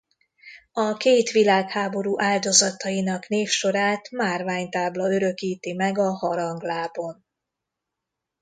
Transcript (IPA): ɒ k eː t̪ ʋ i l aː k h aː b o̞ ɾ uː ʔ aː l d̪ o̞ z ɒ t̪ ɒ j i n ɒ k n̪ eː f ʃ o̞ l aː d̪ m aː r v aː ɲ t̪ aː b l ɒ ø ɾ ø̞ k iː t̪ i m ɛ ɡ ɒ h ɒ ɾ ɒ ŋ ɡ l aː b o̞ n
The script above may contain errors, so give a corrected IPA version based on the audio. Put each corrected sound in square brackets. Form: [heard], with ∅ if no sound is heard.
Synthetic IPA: ɒ k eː t̪ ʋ i l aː k h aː b o̞ ɾ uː ʔ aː l d̪ o̞ z ɒ t̪ ɒ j i n ɒ k n̪ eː f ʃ o̞ [ɾ] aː [t̪] m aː r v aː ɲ t̪ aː b l ɒ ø ɾ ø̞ k iː t̪ i m ɛ ɡ ɒ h ɒ ɾ ɒ ŋ ɡ l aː b o̞ n

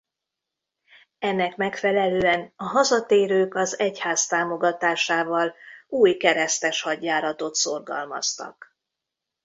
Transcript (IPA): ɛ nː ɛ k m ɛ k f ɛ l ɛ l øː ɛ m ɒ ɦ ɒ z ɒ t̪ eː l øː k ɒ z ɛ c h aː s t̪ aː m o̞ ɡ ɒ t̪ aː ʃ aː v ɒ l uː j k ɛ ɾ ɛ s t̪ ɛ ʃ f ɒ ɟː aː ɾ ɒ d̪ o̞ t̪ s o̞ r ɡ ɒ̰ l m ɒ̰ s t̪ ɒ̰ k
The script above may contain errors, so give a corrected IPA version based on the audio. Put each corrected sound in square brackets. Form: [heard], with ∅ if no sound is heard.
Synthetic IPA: ɛ nː ɛ k m ɛ k f ɛ l ɛ l øː ɛ [n] ɒ ɦ ɒ z ɒ t̪ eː [ɾ] øː k ɒ z ɛ c h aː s t̪ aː m o̞ ɡ ɒ t̪ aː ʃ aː v ɒ l uː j k ɛ ɾ ɛ s t̪ ɛ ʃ [h] ɒ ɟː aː ɾ ɒ [t̪] o̞ t̪ s o̞ r ɡ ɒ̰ l m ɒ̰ s t̪ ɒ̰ k

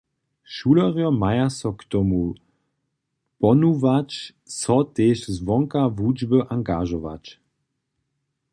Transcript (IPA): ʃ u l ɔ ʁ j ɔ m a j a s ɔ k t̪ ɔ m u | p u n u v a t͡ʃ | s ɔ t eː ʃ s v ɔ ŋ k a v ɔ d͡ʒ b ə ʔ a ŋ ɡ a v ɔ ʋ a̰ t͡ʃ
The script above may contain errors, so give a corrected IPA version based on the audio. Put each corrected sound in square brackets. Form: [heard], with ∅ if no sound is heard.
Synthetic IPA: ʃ u l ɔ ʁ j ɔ m a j a s ɔ k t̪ ɔ m u | p [ɔ] n u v a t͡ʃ | s ɔ t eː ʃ [z] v ɔ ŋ k a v [u] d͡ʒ b ə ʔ a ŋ ɡ a [ʒ] ɔ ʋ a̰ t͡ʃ

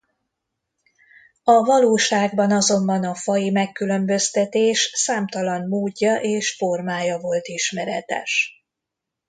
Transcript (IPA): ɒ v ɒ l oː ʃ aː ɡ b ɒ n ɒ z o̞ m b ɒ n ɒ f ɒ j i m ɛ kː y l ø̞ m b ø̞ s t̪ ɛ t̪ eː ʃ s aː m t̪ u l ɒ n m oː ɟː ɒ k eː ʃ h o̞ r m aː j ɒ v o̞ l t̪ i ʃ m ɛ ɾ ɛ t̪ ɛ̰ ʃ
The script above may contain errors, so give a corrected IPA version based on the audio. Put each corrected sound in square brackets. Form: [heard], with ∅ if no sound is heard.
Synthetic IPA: ɒ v ɒ l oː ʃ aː ɡ b ɒ n ɒ z o̞ m b ɒ n ɒ f ɒ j i m ɛ kː y l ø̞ m b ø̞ s t̪ ɛ t̪ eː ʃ s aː m t̪ [ɒ] l ɒ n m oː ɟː ɒ [ʔ] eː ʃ [f] o̞ r m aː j ɒ v o̞ l t̪ i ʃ m ɛ ɾ ɛ t̪ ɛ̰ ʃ

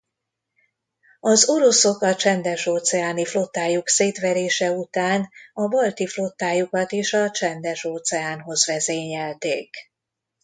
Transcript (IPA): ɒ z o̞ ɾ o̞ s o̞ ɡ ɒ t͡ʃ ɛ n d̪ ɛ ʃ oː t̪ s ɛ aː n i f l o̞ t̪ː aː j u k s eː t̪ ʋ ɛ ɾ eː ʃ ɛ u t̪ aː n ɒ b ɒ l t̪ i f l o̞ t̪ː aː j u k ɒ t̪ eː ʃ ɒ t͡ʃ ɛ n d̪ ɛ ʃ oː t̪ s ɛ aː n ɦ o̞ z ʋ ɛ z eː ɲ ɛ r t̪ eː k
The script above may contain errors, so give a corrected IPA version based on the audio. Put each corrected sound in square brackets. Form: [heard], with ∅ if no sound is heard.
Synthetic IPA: ɒ z o̞ ɾ o̞ s o̞ [k] ɒ t͡ʃ ɛ n d̪ ɛ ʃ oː t̪ s ɛ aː n i f l o̞ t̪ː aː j u k s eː t̪ ʋ ɛ ɾ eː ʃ ɛ u t̪ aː n ɒ b ɒ l t̪ i f l o̞ t̪ː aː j u k ɒ t̪ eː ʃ ɒ t͡ʃ ɛ n d̪ ɛ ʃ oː t̪ s ɛ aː n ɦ o̞ z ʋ ɛ z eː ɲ ɛ [l] t̪ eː k

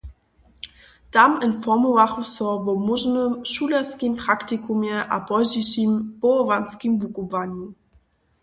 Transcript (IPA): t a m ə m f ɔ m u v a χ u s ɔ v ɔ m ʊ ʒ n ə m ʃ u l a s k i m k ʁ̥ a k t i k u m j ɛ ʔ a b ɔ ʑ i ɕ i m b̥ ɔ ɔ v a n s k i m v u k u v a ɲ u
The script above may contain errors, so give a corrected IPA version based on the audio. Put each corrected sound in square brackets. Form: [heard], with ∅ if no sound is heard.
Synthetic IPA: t a m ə [n] f ɔ m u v a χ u s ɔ v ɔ m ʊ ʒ n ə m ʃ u l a s k i m [p] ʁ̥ a k t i k u m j ɛ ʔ a b ɔ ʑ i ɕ i m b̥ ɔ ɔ v a n s k i m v u k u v a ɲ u

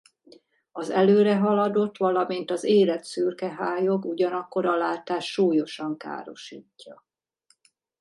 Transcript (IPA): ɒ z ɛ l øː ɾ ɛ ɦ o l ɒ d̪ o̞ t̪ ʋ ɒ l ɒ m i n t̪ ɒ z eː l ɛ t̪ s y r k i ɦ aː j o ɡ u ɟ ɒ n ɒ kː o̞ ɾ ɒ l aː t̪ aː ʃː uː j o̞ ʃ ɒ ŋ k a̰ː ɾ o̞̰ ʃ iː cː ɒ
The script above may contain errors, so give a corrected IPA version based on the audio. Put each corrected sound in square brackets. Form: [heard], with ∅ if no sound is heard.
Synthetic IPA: ɒ z ɛ l øː ɾ ɛ ɦ [ɒ] l ɒ d̪ o̞ t̪ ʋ ɒ l ɒ m i n t̪ ɒ z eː l ɛ t̪ s y r k [ɛ] ɦ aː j o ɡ u ɟ ɒ n ɒ kː o̞ ɾ ɒ l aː t̪ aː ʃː uː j o̞ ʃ ɒ ŋ k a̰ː ɾ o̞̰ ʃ iː cː ɒ

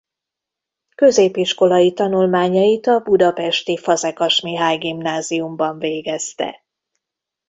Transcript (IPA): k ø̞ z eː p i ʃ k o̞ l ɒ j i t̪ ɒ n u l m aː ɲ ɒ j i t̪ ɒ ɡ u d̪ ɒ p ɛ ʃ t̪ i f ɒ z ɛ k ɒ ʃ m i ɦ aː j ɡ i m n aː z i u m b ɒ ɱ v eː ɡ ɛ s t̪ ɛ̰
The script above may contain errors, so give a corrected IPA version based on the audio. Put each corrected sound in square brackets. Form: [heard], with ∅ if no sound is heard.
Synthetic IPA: k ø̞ z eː p i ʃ k o̞ l ɒ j i t̪ ɒ n u l m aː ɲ ɒ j i t̪ ɒ [b] u d̪ ɒ p ɛ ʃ t̪ i f ɒ z ɛ k ɒ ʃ m i ɦ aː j ɡ i m n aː z i u m b ɒ ɱ v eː ɡ ɛ s t̪ ɛ̰

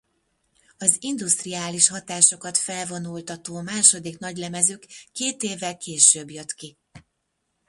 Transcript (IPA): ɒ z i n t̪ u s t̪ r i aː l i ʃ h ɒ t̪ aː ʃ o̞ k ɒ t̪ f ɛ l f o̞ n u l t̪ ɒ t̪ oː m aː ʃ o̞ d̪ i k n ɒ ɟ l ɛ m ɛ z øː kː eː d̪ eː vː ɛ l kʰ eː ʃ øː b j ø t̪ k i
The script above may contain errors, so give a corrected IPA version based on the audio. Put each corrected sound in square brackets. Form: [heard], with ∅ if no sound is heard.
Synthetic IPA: ɒ z i n [d̪] u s t̪ r i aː l i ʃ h ɒ t̪ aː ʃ o̞ k ɒ t̪ f ɛ l [v] o̞ n u l t̪ ɒ t̪ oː m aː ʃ o̞ d̪ i k n ɒ ɟ l ɛ m ɛ z øː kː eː [t̪] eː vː ɛ l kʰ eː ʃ øː b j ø t̪ k i

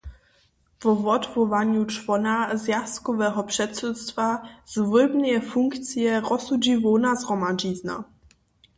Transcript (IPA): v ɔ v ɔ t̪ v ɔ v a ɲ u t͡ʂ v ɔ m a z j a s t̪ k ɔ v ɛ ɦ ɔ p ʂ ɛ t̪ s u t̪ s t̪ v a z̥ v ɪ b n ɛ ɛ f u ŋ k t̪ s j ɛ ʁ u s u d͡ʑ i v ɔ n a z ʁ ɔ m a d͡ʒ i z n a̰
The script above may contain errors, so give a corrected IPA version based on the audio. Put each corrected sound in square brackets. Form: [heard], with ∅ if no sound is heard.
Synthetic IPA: v ɔ v ɔ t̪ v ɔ v a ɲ u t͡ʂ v ɔ [n] a z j a s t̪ k ɔ v ɛ ɦ ɔ p ʂ ɛ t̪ s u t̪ s t̪ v a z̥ v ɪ b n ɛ ɛ f u ŋ k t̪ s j ɛ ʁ [ɔ] s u d͡ʑ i v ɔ n a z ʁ ɔ m a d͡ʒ i z n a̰

